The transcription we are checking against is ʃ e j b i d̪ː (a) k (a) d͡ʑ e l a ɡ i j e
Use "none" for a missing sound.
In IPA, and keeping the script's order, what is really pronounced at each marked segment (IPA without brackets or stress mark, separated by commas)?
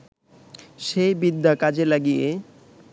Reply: a, a